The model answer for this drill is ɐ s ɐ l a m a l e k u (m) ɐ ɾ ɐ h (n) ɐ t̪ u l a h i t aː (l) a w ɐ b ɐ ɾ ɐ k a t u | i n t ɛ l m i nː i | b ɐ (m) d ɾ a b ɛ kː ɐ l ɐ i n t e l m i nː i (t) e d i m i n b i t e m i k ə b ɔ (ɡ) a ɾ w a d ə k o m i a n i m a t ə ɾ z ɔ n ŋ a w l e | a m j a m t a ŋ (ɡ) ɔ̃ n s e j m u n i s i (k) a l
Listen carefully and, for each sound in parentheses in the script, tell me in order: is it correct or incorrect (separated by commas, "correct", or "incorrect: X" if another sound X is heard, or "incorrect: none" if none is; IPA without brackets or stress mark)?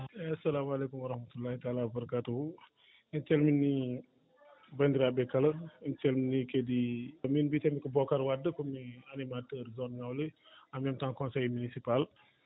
correct, incorrect: m, correct, incorrect: n, incorrect: k, incorrect: k, incorrect: k, incorrect: p